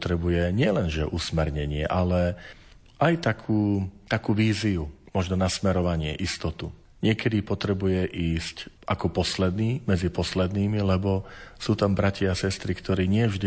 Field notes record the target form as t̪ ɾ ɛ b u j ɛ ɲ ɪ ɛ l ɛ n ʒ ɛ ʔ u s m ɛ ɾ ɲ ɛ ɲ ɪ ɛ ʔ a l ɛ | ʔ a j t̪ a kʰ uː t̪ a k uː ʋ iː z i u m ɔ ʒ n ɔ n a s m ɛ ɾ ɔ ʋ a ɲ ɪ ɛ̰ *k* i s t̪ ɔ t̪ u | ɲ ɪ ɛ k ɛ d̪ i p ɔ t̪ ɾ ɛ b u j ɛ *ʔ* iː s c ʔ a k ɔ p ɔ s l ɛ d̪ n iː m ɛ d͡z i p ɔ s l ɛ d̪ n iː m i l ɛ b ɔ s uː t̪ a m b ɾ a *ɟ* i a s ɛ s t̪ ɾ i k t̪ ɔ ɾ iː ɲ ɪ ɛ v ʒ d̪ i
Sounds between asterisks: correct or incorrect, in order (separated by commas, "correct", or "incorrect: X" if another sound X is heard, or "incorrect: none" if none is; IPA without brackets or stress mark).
incorrect: ʔ, correct, incorrect: c